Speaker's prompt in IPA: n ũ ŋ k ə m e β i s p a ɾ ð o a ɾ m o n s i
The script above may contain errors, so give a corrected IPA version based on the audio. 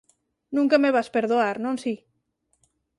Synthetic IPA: n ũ ŋ k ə m e β a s p e ɾ ð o a ɾ n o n s i